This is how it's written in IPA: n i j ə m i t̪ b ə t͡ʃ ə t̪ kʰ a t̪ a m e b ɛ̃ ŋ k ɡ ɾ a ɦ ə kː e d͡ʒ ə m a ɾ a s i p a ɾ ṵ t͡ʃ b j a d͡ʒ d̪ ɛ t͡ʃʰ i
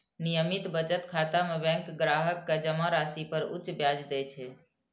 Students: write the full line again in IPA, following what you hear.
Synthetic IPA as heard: n i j ə m i t̪ b ə t͡ʃ ə t̪ kʰ a t̪ a m e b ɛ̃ ŋ k ɡ ɾ a ɦ ə kː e d͡ʒ ə m a ɾ a s i p ə ɾ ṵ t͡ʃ b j a d͡ʒ d̪ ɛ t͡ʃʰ ɛ